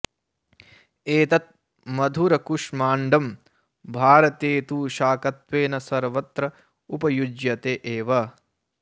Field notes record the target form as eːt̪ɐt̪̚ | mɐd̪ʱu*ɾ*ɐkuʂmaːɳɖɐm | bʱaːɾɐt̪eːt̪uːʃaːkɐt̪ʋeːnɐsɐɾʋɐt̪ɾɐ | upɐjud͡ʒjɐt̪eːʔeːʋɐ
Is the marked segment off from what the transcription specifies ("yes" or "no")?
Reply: no